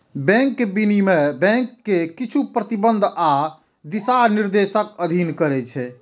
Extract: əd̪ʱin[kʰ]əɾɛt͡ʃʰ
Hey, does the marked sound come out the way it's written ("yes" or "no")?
no